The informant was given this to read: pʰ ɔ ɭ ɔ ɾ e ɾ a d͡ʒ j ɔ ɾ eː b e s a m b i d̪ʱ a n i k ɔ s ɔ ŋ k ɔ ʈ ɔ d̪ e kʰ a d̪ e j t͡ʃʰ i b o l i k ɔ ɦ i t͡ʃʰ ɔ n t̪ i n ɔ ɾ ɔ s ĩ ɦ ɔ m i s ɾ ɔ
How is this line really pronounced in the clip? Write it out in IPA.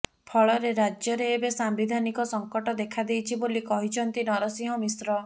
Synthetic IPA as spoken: pʰ ɔ ɭ ɔ ɾ e ɾ a d͡ʒ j ɔ ɾ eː b e s a m b i d̪ʱ a n i k ɔ s ɔ ŋ k ɔ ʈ ɔ d̪ e kʰ a d̪ e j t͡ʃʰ i b o l i k ɔ ɦ i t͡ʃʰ ɔ n t̪ i n ɔ ɾ ɔ s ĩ ɦ ɔ m i s ɾ ɔ